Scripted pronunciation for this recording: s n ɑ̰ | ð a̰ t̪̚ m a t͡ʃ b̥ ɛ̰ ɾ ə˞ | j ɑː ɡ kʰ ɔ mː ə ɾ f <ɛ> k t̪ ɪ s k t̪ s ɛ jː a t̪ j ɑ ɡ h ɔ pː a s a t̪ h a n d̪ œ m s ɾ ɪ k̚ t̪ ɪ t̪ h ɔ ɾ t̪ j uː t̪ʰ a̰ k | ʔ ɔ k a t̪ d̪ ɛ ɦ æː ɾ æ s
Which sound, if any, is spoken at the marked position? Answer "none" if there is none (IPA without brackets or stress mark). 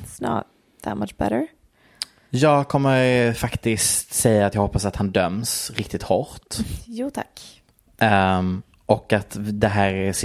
a